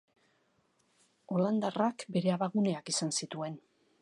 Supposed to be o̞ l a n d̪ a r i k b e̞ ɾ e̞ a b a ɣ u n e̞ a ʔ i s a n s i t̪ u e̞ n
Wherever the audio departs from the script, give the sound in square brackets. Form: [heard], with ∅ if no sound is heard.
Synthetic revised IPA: o̞ l a n d̪ a r [a] k b e̞ ɾ e̞ a [β] a ɣ u n e̞ a [k] i s a n s i t̪ u e̞ n